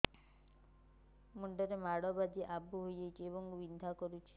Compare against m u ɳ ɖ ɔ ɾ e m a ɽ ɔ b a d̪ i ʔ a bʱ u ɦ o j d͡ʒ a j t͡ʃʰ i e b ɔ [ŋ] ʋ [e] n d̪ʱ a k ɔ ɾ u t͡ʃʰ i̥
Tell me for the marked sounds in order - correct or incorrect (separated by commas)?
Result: correct, incorrect